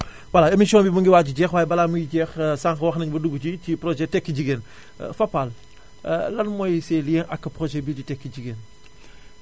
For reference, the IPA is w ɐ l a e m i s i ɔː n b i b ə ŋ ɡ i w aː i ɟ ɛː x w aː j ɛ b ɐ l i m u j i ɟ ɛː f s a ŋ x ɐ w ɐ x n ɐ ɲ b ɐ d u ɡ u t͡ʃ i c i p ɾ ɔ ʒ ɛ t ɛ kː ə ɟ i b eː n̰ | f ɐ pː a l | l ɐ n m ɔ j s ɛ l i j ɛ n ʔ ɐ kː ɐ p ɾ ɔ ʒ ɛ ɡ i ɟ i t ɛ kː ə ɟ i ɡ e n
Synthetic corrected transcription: w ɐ l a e m i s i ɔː n b i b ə ŋ ɡ i w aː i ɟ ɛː x w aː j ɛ b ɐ l a m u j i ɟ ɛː x s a ŋ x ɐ w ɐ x n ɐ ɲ b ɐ d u ɡ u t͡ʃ i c i p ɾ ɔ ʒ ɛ t ɛ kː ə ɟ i ɡ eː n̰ | f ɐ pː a l | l ɐ n m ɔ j s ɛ l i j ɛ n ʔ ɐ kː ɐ p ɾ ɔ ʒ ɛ b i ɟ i t ɛ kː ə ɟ i ɡ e n